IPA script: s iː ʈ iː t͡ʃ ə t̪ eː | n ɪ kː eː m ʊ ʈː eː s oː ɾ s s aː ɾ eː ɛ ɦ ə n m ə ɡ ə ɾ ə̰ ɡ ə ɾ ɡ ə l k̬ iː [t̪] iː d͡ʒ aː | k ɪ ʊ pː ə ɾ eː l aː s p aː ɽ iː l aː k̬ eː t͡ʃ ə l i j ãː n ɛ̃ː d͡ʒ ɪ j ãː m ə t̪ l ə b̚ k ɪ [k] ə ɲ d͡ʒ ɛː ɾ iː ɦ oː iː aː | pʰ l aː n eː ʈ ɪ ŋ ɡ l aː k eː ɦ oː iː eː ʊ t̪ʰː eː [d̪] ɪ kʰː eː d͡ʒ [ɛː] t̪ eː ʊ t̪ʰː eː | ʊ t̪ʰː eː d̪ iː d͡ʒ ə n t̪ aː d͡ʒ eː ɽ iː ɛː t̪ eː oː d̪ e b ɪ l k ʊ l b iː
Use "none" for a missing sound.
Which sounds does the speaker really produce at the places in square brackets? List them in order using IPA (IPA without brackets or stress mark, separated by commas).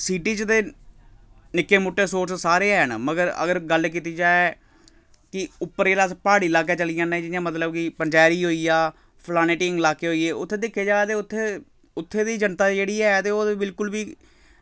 t̪, p, d̪, aː